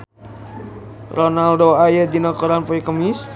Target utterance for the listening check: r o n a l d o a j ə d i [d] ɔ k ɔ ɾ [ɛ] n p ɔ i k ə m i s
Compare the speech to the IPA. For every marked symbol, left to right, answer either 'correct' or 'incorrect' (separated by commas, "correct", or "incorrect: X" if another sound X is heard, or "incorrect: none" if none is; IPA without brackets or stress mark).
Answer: incorrect: n, incorrect: a